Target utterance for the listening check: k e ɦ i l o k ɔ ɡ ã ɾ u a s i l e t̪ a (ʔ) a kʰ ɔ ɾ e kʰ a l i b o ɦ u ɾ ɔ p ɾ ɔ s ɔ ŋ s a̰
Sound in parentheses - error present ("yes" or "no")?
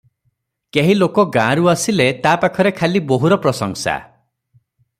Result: yes